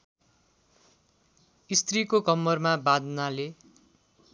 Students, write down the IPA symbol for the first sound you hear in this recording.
i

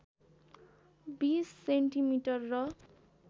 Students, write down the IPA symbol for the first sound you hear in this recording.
b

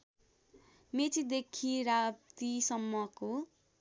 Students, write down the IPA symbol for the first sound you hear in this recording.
m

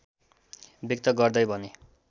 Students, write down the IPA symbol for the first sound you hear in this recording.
b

